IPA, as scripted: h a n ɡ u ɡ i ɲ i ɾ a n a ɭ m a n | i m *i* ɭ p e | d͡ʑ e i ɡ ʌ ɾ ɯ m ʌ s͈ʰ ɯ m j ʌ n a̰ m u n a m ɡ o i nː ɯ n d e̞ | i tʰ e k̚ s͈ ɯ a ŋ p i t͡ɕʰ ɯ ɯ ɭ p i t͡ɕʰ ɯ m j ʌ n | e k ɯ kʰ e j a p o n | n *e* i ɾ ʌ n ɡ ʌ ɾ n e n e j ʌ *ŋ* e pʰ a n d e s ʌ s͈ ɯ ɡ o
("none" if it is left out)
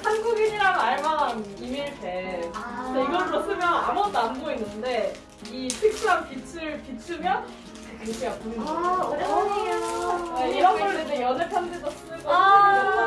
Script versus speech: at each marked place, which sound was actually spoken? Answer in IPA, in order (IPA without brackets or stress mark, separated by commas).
i, e, n